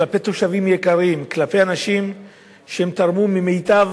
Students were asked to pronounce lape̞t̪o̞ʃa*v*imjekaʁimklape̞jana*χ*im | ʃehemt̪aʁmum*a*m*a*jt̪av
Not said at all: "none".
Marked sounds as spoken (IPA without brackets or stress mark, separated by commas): v, ʃ, i, e